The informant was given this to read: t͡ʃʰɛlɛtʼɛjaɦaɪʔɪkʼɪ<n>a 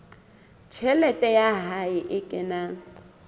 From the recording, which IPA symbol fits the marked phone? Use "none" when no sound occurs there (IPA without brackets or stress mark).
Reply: n